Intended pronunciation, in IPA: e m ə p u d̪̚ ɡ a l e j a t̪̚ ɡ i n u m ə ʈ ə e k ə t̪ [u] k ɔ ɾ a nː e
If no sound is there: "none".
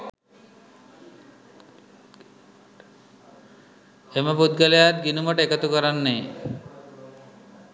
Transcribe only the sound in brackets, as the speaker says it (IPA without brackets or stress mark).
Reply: u